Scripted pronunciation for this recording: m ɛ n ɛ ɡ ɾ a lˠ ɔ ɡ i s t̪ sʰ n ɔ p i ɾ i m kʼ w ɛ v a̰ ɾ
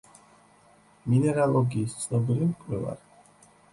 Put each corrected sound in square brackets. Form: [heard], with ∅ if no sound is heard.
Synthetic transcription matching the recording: m [i] n ɛ [∅] ɾ a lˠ ɔ ɡ [iː] s t̪ sʰ n ɔ [b] i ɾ i m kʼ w ɛ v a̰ ɾ